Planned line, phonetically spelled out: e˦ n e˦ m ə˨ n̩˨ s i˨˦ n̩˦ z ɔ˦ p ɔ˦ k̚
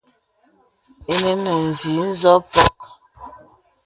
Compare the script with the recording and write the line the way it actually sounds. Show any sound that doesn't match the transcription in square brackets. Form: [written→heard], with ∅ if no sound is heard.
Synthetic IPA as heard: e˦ n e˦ [m→n] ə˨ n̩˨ [s→z] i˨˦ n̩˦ z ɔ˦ p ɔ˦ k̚